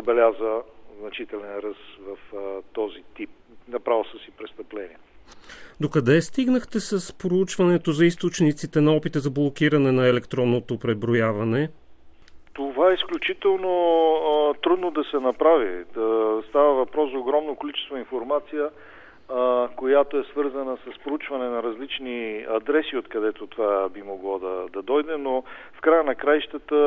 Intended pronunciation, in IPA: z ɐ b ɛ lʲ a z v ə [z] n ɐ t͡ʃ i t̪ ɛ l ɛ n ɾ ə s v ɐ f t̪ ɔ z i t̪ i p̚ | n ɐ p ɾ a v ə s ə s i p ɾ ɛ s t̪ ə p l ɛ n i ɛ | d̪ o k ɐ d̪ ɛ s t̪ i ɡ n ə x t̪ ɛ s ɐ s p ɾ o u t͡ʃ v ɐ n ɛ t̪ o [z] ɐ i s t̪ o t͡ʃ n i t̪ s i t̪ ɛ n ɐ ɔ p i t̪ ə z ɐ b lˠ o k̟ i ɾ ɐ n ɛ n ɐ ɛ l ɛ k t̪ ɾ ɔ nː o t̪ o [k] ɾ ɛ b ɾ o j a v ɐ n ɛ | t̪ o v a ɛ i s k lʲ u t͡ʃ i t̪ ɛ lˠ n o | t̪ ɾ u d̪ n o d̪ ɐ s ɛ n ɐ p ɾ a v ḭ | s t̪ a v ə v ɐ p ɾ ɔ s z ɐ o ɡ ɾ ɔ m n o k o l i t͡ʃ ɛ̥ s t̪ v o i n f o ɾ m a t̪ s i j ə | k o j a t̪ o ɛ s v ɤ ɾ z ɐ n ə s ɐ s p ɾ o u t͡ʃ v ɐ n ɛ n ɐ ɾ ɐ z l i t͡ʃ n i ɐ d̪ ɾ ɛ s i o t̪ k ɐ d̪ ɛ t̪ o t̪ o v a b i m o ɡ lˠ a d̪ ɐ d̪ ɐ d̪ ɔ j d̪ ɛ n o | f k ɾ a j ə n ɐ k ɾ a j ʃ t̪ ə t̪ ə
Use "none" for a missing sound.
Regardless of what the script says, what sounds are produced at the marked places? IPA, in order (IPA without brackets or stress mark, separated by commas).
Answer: z, z, p